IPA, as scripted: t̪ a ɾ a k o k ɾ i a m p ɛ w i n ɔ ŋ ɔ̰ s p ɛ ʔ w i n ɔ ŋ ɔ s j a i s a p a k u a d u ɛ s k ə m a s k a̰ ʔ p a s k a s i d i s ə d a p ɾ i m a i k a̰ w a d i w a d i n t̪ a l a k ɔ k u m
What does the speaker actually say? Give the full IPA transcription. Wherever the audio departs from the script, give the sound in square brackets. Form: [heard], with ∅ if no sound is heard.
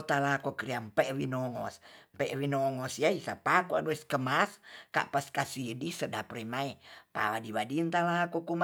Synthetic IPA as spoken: t̪ a [l] a k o k ɾ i a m p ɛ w i n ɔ ŋ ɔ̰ s p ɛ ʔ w i n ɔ ŋ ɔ s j a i s a p a k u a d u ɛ s k ə m a s k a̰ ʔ p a s k a s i d i s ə d a p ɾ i m a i [p] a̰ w a d i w a d i n t̪ a l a k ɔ k u m